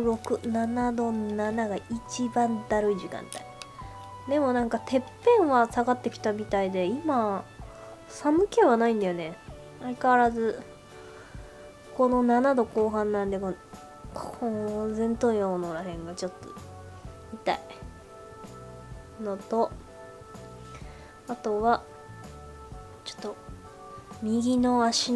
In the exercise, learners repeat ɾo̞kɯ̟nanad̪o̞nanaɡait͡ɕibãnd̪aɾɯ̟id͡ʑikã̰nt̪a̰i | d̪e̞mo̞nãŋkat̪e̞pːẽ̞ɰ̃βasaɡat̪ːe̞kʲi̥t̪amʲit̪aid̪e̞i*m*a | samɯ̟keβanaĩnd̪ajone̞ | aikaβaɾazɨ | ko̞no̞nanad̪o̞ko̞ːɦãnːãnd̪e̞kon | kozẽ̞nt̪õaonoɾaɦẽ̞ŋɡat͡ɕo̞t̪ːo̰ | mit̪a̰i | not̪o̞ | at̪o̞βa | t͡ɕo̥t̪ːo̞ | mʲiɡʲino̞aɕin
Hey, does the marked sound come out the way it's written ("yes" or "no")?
yes